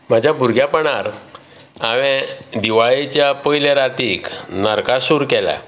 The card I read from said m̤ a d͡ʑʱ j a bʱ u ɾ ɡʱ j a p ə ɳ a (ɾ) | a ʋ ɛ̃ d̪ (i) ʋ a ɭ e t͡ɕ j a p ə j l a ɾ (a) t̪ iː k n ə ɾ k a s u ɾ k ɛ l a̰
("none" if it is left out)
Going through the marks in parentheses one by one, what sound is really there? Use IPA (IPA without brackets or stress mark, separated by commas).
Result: ɾ, i, a